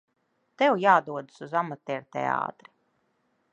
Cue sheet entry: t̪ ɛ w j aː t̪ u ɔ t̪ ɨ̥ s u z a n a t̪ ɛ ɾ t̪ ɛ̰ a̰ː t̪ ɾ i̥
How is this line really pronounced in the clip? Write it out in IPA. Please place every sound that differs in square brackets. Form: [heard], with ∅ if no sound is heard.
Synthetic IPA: t̪ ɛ w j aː [d̪] u ɔ [d̪] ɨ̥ s u z a [m] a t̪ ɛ ɾ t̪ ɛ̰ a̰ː t̪ ɾ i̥